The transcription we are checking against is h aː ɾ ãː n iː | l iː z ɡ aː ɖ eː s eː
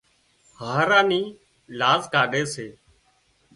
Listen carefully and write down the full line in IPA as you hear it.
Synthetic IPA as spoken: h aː ɾ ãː n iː | l aː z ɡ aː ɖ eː s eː